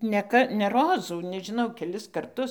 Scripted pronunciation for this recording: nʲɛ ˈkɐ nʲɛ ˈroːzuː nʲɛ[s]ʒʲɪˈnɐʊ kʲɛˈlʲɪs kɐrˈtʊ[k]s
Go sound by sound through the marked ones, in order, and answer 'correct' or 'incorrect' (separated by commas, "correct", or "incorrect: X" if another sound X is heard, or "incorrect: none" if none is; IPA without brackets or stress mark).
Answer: incorrect: none, incorrect: none